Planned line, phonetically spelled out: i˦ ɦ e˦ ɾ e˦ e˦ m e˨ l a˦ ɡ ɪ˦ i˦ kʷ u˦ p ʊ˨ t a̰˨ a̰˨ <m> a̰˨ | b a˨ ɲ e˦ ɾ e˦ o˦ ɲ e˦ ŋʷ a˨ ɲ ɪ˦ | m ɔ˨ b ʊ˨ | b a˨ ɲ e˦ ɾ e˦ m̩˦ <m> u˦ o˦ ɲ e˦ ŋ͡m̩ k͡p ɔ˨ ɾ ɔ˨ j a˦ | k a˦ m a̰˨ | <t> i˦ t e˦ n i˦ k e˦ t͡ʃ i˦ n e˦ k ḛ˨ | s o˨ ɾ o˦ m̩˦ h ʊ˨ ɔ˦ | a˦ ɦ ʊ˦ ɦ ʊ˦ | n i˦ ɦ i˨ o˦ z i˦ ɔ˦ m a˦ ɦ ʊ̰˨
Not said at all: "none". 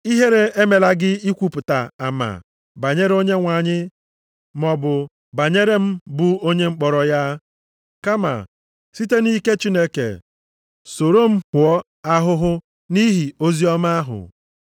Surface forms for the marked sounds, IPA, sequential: m, b, s

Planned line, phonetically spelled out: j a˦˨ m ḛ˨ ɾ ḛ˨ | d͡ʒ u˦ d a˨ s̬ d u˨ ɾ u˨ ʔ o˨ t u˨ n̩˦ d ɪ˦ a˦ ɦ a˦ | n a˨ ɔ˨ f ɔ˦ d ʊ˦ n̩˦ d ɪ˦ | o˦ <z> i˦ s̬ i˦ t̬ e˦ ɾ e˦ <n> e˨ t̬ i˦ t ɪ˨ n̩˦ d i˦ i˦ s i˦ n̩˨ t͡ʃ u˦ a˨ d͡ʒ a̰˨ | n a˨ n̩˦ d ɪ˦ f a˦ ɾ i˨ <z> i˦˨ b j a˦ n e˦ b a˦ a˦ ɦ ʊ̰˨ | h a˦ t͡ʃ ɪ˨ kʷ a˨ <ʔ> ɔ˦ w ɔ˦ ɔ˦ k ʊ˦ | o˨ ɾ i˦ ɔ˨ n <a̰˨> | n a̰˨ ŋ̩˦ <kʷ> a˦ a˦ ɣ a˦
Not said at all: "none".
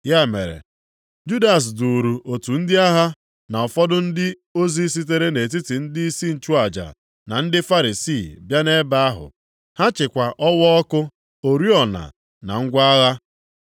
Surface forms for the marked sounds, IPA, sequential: z, n, s, ʔ, a̰˨, ɡʷ

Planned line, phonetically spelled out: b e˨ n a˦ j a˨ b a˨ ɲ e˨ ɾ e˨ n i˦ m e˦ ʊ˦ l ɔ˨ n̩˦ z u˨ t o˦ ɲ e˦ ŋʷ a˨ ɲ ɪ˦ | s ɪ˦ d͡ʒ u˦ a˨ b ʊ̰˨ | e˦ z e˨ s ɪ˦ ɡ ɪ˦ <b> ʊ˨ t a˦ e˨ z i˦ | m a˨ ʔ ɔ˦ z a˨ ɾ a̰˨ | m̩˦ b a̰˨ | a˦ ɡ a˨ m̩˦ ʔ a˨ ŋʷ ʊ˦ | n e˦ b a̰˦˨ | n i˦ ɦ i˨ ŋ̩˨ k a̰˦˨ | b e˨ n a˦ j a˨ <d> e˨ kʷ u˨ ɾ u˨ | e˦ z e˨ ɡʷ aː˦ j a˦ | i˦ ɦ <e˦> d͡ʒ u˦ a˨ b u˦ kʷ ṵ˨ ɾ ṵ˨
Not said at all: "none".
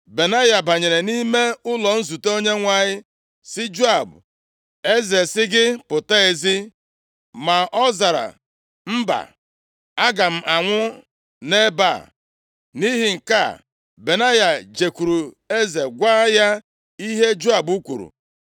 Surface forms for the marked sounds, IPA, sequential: p, d͡ʒ, e˦

